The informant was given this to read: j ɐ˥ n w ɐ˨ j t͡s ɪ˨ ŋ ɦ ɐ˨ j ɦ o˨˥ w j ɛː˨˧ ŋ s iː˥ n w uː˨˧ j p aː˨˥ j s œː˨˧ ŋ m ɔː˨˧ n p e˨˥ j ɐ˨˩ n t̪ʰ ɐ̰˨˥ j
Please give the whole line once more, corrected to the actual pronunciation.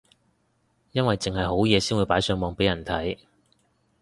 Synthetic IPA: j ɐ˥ n w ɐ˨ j t͡s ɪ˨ ŋ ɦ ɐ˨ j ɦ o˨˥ w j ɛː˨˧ s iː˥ n w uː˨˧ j p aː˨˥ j s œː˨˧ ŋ m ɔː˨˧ ŋ p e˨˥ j ɐ˨˩ n t̪ʰ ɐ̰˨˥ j